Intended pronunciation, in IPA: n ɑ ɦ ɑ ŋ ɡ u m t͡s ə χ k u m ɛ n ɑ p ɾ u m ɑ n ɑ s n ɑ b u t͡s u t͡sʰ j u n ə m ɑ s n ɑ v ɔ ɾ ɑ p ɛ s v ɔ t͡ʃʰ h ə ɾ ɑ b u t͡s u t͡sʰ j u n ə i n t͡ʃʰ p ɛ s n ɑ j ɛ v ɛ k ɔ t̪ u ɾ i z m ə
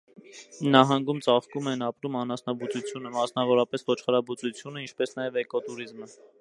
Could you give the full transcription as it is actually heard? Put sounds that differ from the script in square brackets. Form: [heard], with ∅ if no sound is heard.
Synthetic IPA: n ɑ ɦ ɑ ŋ ɡ u m t͡s [ɑ] χ k u m ɛ n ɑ p ɾ u m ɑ n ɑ s n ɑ b u t͡s u t͡sʰ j u n ə m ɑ s n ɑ v ɔ ɾ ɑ p ɛ s v ɔ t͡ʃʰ [χ] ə ɾ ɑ b u t͡s u t͡sʰ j u n ə i n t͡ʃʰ p ɛ s n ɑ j ɛ v ɛ k ɔ t̪ u ɾ i z m ə